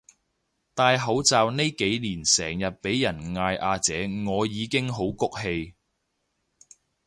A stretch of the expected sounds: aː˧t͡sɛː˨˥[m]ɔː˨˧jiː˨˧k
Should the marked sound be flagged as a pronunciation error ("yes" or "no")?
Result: yes